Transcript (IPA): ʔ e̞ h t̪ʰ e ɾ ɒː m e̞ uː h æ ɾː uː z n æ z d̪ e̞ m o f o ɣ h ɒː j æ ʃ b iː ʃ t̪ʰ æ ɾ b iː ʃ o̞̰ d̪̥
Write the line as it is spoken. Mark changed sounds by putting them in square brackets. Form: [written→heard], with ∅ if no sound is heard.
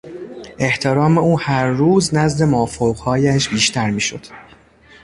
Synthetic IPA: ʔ e̞ h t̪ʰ e ɾ ɒː m e̞ uː h æ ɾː uː z n æ z d̪ e̞ m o f o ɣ h ɒː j æ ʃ b iː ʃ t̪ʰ æ ɾ [b→m] iː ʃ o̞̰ d̪̥